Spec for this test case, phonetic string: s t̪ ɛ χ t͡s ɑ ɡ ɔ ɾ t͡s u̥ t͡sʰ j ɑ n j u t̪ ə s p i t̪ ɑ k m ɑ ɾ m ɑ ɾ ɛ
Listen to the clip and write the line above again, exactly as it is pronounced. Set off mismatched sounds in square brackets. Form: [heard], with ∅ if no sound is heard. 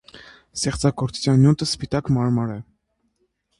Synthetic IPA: s t̪ ɛ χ t͡s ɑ ɡ ɔ ɾ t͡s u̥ t͡sʰ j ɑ n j u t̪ ə s p i t̪ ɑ k m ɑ ɾ m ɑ ɾ ɛ